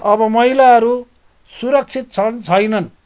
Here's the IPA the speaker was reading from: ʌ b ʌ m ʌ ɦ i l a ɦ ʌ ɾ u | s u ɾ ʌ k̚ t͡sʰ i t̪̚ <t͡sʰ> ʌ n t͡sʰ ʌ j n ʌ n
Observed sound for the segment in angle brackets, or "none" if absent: t͡sʰ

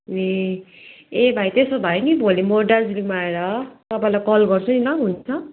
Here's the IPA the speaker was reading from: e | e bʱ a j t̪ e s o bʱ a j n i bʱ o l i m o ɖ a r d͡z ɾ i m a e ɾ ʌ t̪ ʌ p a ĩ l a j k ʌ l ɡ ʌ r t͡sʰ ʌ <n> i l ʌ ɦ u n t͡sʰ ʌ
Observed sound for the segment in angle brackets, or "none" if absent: n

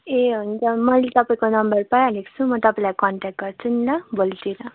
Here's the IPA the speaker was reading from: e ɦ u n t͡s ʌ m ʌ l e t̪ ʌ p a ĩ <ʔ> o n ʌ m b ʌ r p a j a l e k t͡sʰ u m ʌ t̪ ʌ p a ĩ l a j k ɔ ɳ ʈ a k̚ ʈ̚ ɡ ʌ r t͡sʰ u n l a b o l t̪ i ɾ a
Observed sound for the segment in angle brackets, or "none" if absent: k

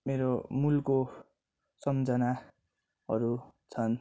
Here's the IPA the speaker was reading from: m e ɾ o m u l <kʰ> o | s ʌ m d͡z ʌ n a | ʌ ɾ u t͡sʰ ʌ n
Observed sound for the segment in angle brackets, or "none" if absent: k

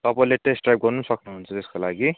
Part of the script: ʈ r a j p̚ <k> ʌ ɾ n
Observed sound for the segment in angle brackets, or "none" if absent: ɡ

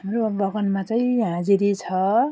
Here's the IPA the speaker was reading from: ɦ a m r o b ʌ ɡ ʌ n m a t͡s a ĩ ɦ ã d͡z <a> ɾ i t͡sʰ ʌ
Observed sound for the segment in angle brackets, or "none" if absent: i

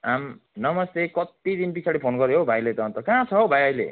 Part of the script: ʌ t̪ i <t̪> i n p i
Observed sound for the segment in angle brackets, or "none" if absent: d̪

